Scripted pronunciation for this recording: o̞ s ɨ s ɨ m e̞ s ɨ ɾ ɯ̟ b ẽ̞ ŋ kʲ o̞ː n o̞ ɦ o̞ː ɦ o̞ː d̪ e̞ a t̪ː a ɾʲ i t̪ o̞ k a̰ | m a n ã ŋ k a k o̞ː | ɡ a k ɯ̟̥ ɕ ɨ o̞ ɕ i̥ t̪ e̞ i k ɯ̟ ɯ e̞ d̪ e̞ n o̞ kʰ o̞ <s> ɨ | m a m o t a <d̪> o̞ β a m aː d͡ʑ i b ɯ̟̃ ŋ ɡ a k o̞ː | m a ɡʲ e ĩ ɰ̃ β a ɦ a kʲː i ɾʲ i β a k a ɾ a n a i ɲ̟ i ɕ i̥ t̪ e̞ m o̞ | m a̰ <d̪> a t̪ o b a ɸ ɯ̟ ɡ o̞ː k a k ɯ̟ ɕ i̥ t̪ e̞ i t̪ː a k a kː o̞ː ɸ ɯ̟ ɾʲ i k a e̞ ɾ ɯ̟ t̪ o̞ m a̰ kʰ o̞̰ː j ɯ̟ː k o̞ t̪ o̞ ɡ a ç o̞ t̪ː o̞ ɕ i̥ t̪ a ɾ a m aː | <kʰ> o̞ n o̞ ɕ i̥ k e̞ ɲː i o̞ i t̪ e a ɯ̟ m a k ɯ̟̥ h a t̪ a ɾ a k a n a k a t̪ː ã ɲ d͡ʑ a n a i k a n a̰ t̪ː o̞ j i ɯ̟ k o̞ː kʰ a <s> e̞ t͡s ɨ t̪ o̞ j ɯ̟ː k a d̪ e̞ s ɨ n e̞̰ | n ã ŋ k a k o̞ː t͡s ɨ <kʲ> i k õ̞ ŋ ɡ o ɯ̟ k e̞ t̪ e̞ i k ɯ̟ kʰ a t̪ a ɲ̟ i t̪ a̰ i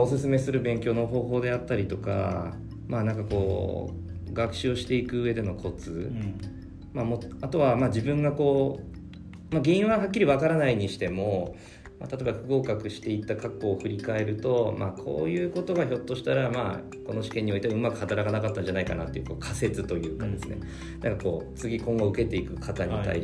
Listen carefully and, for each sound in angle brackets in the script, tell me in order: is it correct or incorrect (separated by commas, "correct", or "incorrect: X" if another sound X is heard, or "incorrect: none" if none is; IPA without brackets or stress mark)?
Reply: incorrect: t͡s, incorrect: t̪, incorrect: t̪, incorrect: k, correct, incorrect: ɡʲ